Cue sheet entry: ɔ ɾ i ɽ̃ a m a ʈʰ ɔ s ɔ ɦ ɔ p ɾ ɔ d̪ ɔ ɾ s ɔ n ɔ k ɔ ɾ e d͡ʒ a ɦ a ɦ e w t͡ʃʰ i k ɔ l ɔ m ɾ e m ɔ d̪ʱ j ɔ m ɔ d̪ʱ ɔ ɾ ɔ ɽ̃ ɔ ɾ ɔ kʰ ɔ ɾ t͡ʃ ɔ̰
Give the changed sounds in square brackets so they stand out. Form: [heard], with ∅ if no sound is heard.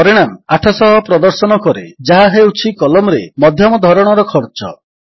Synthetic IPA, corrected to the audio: ɔ ɾ i ɽ̃ a m a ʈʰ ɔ s ɔ ɦ ɔ p ɾ ɔ d̪ ɔ ɾ s ɔ n ɔ k ɔ ɾ e d͡ʒ a ɦ a ɦ e w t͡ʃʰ i k ɔ l ɔ m ɾ e m ɔ d̪ʱ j ɔ m ɔ d̪ʱ ɔ ɾ ɔ ɽ̃ ɔ ɾ ɔ kʰ ɔ ɾ t͡ʃ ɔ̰